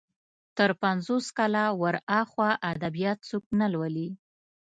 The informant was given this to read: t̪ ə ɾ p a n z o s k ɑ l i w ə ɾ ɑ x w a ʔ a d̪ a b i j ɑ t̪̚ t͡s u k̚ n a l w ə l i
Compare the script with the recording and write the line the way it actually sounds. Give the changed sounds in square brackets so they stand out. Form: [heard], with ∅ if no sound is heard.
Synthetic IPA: t̪ ə ɾ p a n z o s k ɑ l [a] w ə ɾ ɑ x w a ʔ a d̪ a b i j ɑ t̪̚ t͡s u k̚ n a l w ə l i